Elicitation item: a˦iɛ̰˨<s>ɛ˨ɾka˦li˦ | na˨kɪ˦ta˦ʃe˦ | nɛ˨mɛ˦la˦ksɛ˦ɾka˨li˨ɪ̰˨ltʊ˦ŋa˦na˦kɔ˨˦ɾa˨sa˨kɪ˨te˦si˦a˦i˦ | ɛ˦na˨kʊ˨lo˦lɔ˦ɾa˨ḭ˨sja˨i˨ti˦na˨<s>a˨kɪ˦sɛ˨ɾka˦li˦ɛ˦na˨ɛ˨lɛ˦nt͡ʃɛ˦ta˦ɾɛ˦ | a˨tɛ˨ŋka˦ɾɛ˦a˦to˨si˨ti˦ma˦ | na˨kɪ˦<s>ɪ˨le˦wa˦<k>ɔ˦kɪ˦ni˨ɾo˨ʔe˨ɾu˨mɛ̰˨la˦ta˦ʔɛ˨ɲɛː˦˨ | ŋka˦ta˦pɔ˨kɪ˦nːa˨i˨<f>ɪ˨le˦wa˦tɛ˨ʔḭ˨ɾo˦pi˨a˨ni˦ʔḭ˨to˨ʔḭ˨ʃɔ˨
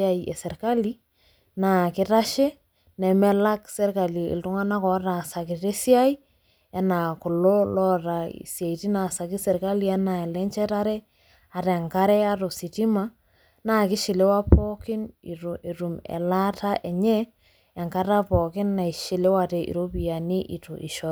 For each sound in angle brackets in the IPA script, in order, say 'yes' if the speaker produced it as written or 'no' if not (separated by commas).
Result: yes, yes, no, no, no